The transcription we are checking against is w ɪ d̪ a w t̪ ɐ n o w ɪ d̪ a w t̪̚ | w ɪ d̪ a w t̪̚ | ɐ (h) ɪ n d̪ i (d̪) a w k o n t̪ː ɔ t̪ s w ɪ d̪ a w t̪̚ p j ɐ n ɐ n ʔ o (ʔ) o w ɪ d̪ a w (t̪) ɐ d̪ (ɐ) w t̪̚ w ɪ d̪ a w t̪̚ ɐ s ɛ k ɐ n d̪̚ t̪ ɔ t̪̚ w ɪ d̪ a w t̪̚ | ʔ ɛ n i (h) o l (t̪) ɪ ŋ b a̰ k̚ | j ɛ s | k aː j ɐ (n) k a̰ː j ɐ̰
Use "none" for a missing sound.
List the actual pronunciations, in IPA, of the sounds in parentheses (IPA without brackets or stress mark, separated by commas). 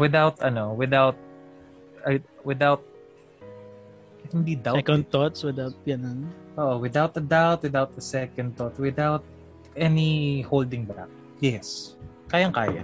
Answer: h, d̪, ʔ, t̪, a, h, d̪, ŋ